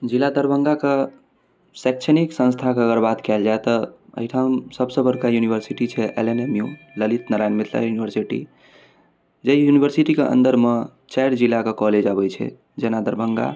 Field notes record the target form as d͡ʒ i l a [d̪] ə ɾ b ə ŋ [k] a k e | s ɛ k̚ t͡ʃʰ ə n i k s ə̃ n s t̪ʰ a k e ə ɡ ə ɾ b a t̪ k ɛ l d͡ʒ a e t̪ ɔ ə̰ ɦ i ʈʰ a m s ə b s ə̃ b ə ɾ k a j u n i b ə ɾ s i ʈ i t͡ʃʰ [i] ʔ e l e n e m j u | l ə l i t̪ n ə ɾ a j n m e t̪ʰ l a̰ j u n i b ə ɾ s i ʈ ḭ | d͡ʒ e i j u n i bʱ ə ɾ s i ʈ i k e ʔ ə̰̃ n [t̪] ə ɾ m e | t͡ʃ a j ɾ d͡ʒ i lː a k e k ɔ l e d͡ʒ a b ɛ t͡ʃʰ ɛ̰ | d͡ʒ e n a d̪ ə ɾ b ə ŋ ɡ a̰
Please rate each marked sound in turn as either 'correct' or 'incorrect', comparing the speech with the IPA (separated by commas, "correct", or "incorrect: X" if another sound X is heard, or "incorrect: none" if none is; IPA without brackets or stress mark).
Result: correct, incorrect: ɡ, incorrect: ɛ, incorrect: d̪